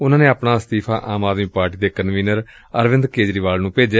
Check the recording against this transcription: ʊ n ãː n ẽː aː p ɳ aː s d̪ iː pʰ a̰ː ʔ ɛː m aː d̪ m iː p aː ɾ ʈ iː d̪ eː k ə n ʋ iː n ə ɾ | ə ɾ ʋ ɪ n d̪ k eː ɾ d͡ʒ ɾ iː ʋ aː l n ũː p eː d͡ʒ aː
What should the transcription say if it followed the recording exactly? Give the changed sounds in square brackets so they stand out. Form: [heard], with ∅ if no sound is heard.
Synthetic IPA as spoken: ʊ n ãː n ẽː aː p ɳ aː s [t̪] iː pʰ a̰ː ʔ [aː] m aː d̪ m iː p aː ɾ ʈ iː d̪ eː k ə n ʋ iː n ə ɾ | ə ɾ ʋ ɪ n d̪ k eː [∅] d͡ʒ ɾ iː ʋ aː l n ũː p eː d͡ʒ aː